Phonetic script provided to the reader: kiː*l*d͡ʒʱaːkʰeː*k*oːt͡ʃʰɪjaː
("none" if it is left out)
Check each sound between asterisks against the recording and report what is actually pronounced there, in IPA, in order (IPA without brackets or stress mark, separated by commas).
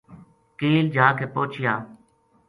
l, p